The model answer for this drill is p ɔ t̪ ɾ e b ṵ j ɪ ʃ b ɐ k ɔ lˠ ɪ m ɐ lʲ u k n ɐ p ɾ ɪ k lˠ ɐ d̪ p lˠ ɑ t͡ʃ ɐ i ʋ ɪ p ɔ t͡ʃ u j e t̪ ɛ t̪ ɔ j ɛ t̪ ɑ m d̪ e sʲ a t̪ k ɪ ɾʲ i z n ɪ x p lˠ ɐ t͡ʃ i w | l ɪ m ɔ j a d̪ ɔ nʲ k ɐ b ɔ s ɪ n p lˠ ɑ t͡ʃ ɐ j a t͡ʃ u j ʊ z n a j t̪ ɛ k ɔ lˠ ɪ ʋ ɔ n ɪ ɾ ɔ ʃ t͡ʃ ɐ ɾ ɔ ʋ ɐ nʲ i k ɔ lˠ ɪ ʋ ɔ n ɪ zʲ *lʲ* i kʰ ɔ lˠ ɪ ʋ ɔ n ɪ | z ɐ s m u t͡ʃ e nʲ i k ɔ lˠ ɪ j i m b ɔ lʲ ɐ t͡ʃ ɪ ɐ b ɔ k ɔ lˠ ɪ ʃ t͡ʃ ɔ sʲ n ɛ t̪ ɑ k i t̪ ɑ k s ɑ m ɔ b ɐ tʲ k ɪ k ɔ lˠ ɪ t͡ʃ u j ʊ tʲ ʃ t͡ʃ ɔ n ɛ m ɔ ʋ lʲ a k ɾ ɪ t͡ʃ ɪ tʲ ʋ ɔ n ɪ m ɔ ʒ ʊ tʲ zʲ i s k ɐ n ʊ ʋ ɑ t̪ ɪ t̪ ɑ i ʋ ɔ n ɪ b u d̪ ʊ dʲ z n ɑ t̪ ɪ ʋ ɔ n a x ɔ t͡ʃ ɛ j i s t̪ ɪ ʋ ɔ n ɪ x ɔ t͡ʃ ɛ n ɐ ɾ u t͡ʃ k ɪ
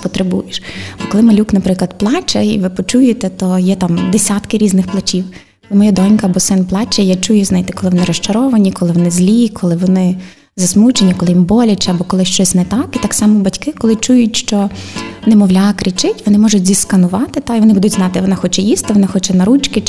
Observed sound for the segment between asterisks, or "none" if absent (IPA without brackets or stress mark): lʲ